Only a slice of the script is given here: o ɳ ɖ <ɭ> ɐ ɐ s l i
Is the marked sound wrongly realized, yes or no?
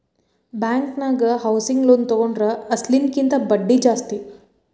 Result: yes